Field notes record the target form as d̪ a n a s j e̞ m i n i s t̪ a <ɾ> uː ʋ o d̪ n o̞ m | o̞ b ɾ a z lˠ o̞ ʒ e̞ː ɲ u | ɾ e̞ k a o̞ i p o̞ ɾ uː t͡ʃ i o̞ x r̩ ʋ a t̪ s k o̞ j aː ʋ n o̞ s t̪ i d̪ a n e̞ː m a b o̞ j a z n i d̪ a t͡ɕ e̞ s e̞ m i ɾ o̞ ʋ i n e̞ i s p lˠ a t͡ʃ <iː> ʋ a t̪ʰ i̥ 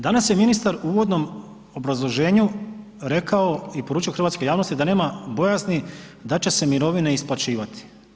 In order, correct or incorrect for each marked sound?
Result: correct, correct

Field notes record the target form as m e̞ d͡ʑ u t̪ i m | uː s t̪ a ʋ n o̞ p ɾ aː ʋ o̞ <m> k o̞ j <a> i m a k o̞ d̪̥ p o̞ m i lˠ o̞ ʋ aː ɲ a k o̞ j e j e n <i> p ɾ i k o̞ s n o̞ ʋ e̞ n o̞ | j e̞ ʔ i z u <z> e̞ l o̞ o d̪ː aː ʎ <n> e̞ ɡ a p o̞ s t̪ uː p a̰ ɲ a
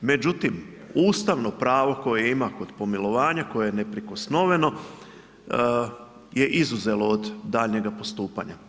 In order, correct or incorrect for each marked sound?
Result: incorrect: none, incorrect: e, incorrect: e, correct, incorrect: ɲ

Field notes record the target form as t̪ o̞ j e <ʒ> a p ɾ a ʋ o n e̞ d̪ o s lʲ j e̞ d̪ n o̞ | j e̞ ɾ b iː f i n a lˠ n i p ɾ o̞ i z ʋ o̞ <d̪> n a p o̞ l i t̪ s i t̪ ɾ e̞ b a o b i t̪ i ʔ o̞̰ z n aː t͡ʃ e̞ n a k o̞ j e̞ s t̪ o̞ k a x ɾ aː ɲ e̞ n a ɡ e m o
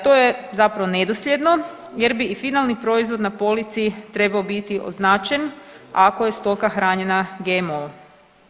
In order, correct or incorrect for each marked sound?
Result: incorrect: z, correct

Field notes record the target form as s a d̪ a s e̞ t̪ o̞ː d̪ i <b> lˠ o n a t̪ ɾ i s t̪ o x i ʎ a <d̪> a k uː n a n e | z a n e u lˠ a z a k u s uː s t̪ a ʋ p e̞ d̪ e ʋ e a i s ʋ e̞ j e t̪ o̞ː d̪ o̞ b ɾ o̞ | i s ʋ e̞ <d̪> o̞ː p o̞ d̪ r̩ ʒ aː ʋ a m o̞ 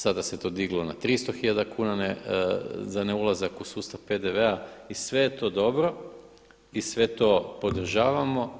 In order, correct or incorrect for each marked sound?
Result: incorrect: ɡ, correct, incorrect: t̪

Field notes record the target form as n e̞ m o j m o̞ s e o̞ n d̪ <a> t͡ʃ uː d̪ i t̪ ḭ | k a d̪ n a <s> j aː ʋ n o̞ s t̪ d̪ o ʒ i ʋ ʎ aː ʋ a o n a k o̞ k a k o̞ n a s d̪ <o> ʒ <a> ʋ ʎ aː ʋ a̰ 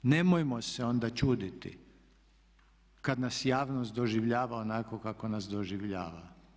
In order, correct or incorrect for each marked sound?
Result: correct, correct, correct, incorrect: i

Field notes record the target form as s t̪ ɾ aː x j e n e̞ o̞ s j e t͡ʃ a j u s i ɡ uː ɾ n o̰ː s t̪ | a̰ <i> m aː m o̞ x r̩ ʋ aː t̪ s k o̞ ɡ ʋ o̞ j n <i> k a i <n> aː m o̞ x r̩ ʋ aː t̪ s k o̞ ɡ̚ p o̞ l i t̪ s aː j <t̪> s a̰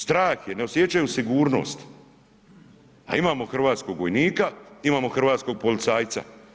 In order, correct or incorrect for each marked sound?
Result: correct, incorrect: iː, incorrect: m, correct

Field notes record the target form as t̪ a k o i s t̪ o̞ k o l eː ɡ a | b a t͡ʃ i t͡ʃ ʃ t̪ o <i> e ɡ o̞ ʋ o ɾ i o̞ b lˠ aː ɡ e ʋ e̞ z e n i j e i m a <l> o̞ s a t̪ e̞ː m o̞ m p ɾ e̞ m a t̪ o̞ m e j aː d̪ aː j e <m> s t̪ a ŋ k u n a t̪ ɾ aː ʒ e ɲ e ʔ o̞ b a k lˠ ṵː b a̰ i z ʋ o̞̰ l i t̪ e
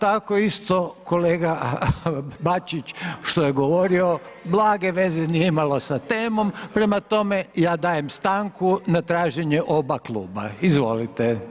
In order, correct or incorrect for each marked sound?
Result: incorrect: j, correct, correct

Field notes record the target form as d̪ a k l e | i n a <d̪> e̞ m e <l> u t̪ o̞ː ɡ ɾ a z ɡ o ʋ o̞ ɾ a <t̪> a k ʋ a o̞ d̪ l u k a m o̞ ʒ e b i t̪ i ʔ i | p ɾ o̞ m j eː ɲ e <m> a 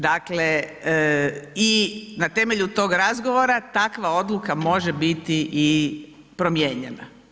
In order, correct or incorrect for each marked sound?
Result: incorrect: t̪, incorrect: ʎ, correct, incorrect: n

